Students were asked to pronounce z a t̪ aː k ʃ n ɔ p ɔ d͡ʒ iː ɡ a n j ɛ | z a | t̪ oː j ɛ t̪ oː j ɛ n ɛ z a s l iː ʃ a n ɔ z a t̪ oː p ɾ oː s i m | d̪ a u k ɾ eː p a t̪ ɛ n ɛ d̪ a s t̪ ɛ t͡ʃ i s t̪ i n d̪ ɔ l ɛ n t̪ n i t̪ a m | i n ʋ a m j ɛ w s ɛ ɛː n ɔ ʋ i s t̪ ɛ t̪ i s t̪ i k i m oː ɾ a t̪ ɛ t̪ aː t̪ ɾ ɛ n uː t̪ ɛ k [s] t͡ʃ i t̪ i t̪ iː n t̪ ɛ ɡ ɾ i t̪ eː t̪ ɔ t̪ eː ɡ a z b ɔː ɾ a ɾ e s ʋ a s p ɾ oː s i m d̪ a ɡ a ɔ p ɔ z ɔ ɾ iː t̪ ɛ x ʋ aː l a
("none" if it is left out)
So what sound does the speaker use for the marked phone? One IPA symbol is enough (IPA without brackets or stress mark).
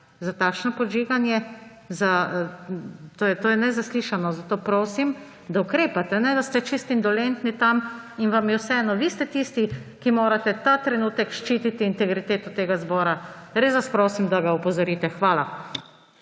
ʃ